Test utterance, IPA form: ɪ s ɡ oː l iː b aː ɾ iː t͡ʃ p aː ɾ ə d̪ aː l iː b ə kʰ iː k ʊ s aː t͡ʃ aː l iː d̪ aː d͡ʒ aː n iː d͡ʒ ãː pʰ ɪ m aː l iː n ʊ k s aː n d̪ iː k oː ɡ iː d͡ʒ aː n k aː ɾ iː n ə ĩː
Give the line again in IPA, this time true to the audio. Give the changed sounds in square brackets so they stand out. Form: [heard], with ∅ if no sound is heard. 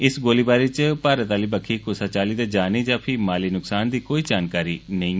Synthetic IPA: ɪ s ɡ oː l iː b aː ɾ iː t͡ʃ p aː ɾ ə [t̪] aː l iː b ə kʰ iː k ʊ s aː t͡ʃ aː l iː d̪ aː d͡ʒ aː n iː d͡ʒ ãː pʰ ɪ m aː l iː n ʊ k s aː n d̪ iː k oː [∅] iː d͡ʒ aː n k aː ɾ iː n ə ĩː